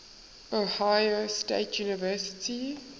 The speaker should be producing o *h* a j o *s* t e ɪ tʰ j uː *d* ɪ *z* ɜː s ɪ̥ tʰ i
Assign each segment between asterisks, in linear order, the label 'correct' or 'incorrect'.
correct, correct, incorrect: n, incorrect: v

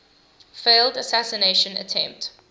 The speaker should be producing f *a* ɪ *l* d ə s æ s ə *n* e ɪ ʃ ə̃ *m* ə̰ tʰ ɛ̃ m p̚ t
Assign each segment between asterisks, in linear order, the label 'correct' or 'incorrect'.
incorrect: e, correct, correct, incorrect: n

